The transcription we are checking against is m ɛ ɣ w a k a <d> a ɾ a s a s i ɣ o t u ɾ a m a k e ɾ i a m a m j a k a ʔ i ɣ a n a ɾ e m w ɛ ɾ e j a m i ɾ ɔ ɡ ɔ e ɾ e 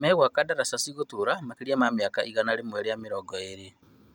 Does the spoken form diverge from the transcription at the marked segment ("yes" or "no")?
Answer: no